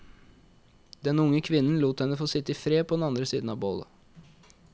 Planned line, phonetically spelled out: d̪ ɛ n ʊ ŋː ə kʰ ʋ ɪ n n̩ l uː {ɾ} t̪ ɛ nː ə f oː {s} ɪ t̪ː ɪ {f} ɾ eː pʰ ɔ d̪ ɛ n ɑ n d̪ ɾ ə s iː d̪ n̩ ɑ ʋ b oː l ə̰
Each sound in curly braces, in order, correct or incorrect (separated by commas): incorrect, correct, correct